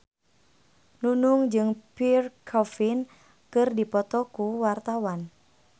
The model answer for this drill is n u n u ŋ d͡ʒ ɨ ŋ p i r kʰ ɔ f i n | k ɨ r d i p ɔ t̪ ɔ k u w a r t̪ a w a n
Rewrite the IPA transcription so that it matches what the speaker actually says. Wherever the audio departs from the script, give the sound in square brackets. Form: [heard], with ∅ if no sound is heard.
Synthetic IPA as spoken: n u n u ŋ d͡ʒ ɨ ŋ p i r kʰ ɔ f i n | k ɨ r d i p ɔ t̪ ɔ k u w a r t̪ a w a n